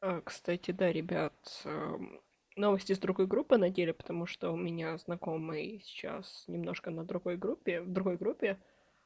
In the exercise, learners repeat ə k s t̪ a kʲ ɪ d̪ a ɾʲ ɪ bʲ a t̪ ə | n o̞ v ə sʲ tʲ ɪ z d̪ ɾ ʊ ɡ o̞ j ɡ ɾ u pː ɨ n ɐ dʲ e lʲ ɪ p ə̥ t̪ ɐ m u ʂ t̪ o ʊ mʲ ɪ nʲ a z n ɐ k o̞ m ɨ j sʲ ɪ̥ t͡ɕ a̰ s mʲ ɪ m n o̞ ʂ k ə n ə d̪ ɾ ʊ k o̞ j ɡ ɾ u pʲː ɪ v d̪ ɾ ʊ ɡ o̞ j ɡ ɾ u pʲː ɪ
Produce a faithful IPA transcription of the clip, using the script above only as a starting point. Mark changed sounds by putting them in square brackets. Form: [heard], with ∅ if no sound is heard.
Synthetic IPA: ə k s t̪ a [tʲ] ɪ d̪ a ɾʲ ɪ bʲ a t̪ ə | n o̞ v ə sʲ tʲ ɪ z d̪ ɾ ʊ ɡ o̞ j ɡ ɾ u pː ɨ n ɐ dʲ e lʲ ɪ p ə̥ t̪ ɐ m u ʂ t̪ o ʊ mʲ ɪ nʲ a z n ɐ k o̞ m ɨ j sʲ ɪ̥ t͡ɕ a̰ s [nʲ] ɪ m n o̞ ʂ k ə n ə d̪ ɾ ʊ [ɡ] o̞ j ɡ ɾ u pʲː ɪ v d̪ ɾ ʊ ɡ o̞ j ɡ ɾ u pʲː ɪ